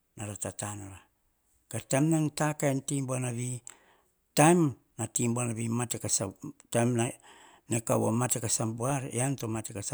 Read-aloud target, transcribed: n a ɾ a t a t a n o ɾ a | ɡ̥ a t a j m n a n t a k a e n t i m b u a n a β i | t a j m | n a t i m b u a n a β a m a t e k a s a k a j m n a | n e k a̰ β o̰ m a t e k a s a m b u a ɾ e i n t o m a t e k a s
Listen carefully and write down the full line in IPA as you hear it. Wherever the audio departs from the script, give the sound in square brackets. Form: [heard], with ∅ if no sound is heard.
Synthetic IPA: n a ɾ a t a t a n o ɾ a | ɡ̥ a t a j m n a n t a k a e n t i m b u a n a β i | t a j m | n a t i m b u a n a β [i] m a t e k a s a [t] a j m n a | n e k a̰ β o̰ m a t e k a s a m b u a ɾ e [a] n t o m a t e k a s